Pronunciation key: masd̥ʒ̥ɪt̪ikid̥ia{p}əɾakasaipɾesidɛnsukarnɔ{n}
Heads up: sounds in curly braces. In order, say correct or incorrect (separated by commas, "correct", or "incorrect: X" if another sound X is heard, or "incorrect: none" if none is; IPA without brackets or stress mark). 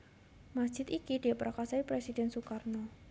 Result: correct, incorrect: none